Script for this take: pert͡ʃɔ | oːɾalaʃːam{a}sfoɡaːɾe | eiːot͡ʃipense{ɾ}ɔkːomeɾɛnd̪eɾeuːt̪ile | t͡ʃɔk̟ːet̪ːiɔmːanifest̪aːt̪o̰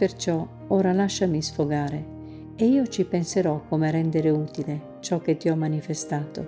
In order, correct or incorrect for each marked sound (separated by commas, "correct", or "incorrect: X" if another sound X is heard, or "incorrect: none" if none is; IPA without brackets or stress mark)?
incorrect: i, correct